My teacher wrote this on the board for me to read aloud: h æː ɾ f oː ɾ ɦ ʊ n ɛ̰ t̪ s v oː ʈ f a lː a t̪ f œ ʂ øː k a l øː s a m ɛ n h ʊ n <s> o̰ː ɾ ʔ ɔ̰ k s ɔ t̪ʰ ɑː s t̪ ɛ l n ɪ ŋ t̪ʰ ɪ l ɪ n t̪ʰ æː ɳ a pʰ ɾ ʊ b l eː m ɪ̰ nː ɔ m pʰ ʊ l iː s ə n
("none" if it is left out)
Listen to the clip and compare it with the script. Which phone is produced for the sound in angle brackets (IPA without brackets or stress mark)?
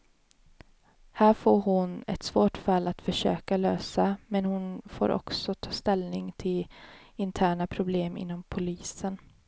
f